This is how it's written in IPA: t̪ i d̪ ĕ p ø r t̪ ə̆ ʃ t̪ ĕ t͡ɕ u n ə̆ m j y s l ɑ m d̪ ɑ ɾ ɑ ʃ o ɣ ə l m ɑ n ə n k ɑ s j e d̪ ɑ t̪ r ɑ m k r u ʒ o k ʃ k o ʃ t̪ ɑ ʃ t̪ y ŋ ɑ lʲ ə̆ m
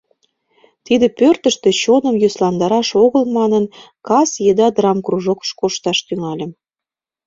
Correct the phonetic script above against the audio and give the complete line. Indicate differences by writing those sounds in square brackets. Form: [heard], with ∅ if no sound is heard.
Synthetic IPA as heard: t̪ i d̪ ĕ p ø r t̪ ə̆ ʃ t̪ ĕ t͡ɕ [o] n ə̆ m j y s l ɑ [n] d̪ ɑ ɾ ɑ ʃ o ɣ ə l m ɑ n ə n k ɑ s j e d̪ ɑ [d̪] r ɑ m k r u ʒ o k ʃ k o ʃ t̪ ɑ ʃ t̪ y ŋ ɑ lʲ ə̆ m